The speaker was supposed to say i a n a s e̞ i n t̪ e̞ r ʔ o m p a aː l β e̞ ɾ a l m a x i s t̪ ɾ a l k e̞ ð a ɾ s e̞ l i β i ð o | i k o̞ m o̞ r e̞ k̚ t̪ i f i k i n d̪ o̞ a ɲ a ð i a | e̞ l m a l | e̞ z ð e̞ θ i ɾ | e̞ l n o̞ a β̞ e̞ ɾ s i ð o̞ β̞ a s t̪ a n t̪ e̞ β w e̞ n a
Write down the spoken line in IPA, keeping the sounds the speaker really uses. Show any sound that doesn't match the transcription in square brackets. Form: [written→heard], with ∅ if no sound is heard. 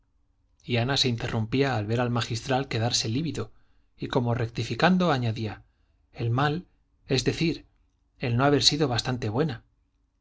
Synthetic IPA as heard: i a n a s e̞ i n t̪ e̞ r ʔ [o→u] m p [a→i] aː l β e̞ ɾ a l m a x i s t̪ ɾ a l k e̞ ð a ɾ s e̞ l i β i ð o | i k o̞ m o̞ r e̞ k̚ t̪ i f i k [i→a] n d̪ o̞ a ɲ a ð i a | e̞ l m a l | e̞ z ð e̞ θ i ɾ | e̞ l n o̞ a β̞ e̞ ɾ s i ð o̞ β̞ a s t̪ a n t̪ e̞ β w e̞ n a